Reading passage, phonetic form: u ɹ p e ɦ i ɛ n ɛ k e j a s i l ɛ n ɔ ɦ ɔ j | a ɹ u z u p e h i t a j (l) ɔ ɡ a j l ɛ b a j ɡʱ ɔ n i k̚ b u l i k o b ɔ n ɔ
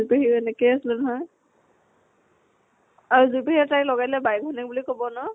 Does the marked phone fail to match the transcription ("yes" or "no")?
no